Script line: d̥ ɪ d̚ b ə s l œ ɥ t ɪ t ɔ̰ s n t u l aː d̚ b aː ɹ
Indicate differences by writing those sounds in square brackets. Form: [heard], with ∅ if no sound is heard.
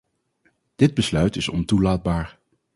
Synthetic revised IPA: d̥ ɪ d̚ b ə s l œ ɥ t ɪ [s] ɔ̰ [∅] n t u l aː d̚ b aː ɹ

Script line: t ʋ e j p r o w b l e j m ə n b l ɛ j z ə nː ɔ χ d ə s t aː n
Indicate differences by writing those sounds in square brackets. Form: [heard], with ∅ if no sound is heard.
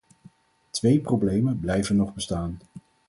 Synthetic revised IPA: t ʋ e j p r o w b l e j m ə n b l ɛ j [v] ə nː ɔ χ [b] ə s t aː n

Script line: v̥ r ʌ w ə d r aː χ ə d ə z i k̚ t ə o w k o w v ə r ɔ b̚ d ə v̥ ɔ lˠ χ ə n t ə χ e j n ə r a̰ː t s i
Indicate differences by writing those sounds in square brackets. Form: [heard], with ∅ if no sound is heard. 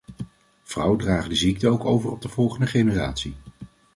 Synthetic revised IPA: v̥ r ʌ w ə d r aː χ ə d ə z i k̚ t ə o w k o w v ə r ɔ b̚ d ə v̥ ɔ lˠ χ ə n [d] ə χ e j n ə r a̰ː t s i

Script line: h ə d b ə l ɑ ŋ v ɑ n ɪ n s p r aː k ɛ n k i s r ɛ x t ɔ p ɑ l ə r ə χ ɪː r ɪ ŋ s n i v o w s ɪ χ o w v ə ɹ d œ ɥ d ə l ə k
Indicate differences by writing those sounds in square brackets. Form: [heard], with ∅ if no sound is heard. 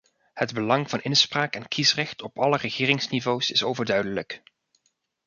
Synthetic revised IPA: h ə d b ə l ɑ ŋ v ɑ n ɪ n s p r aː k ɛ n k i s r ɛ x t ɔ p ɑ l ə r ə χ ɪː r ɪ ŋ s n i v o w s ɪ [s] o w v ə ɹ d œ ɥ d ə l ə k

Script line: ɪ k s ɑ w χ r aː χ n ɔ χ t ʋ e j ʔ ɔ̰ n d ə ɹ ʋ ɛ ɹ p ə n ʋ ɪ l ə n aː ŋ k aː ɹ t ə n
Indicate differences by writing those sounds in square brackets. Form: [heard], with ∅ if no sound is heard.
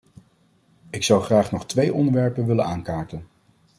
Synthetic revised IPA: ɪ k s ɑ w χ r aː χ n ɔ χ t ʋ e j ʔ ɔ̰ n d ə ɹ ʋ ɛ ɹ p ə n ʋ ɪ l ə n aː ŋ k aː ɹ t ə n

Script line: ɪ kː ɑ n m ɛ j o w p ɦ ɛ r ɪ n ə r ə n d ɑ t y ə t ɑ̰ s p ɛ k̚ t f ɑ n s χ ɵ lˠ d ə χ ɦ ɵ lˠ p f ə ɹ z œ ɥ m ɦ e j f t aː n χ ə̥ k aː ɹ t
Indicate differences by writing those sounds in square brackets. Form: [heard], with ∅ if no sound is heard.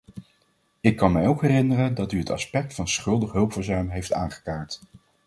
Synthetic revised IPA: ɪ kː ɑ n m ɛ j o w [k] ɦ ɛ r ɪ n ə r ə n d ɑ t y ə t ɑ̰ s p ɛ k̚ t f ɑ n s χ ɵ lˠ d ə χ ɦ ɵ lˠ p f ə ɹ z œ ɥ m ɦ e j f t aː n χ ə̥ k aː ɹ t

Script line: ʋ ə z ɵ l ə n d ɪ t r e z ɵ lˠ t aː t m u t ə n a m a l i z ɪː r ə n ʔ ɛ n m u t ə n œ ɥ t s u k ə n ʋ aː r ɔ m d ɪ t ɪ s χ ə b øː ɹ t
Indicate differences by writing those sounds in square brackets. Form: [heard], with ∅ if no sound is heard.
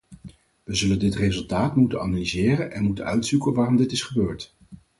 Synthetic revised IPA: ʋ ə z ɵ l ə n d ɪ t r e z ɵ lˠ t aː t m u t ə n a [n] a l i z ɪː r ə n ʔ ɛ n m u t ə n œ ɥ t s u k ə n ʋ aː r ɔ m d ɪ t ɪ s χ ə b øː ɹ t

